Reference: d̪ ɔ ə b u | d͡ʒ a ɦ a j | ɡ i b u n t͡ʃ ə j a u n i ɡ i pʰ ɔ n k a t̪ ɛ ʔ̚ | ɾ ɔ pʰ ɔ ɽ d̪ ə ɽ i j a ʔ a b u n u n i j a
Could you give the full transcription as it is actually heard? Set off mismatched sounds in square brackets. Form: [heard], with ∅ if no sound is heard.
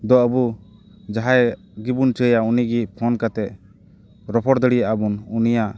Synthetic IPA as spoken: d̪ ɔ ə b u | d͡ʒ a ɦ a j | ɡ i b u n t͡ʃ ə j a u n i ɡ i pʰ ɔ n k a t̪ ɛ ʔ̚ | ɾ ɔ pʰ ɔ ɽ d̪ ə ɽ i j a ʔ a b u n u n i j a